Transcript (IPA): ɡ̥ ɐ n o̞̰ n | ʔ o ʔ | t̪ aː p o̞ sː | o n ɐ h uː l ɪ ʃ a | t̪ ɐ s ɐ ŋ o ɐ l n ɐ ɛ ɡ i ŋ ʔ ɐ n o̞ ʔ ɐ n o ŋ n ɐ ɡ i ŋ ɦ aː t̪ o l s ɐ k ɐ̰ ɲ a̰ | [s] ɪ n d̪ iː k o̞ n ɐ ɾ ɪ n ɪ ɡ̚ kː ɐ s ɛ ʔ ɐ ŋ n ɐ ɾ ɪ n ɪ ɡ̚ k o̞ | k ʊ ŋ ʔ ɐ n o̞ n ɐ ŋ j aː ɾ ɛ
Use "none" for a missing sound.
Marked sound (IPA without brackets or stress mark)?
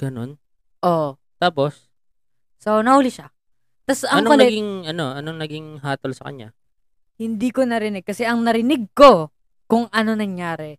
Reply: h